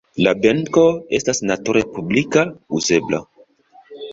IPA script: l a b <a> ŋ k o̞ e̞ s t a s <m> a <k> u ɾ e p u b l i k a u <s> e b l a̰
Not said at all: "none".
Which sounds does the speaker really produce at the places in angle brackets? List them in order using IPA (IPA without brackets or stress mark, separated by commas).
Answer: e, n, t, z